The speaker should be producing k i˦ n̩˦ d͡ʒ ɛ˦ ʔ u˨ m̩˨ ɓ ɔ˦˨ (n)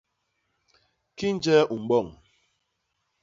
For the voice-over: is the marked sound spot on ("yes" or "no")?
no